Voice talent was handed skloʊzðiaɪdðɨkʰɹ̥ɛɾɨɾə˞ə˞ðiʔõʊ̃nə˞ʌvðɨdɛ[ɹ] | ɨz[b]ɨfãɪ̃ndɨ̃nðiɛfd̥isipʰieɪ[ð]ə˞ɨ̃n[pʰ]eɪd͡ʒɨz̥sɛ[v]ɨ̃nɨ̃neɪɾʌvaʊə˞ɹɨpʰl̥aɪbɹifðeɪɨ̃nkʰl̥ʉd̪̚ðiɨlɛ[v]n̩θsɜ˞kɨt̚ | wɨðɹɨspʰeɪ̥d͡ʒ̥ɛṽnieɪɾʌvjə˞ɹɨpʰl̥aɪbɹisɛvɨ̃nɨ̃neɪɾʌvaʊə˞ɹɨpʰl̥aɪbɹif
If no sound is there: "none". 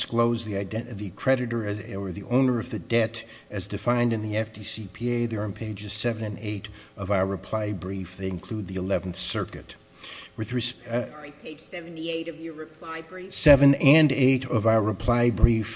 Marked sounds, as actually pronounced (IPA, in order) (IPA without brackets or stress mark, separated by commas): ɾ, d, ð, pʰ, v, v